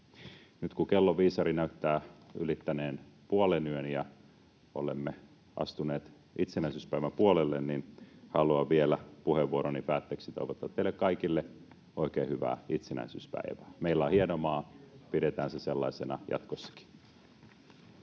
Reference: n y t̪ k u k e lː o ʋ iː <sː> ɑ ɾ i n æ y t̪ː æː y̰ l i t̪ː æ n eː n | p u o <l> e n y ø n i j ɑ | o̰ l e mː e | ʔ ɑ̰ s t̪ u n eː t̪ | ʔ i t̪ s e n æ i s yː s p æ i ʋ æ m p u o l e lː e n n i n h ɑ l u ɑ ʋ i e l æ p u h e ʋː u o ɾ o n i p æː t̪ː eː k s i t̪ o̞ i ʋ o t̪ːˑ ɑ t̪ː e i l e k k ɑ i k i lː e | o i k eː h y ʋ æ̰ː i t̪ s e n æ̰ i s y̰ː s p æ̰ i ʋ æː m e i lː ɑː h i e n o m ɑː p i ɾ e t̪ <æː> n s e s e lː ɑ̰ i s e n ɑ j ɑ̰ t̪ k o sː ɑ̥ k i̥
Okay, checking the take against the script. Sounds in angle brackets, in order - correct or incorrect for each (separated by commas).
incorrect, correct, correct